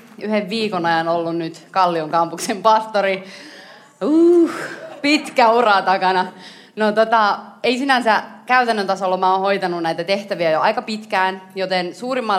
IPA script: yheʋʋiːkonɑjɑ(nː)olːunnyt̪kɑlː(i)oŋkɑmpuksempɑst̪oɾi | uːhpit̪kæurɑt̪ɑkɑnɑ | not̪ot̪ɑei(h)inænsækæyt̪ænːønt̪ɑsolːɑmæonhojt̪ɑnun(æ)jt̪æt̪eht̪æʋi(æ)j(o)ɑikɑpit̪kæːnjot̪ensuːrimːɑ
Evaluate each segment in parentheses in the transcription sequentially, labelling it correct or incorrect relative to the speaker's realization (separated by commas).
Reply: incorrect, correct, incorrect, correct, correct, correct